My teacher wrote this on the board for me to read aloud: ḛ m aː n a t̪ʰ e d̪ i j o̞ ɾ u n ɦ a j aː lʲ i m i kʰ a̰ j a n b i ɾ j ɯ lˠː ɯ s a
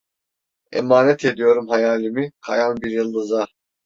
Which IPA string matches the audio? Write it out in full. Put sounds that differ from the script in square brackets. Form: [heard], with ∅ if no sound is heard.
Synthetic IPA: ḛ m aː n [ɛ] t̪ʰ e d̪ i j o̞ ɾ u [m] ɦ a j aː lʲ i m i kʰ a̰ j a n b i ɾ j ɯ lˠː ɯ [z] a